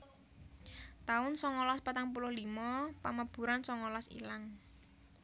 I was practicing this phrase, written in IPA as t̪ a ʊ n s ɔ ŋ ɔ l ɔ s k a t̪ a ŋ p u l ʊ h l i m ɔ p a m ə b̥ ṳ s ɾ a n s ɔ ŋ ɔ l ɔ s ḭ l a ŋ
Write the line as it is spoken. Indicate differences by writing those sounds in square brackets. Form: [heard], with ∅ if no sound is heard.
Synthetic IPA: t̪ a ʊ n s ɔ ŋ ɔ l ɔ s [p] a t̪ a ŋ p u l ʊ h l i m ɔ p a m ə b̥ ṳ [∅] ɾ a n s ɔ ŋ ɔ l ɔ s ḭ l a ŋ